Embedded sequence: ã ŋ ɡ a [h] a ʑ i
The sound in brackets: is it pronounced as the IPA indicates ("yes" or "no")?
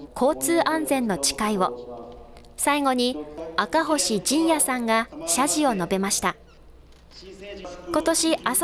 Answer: no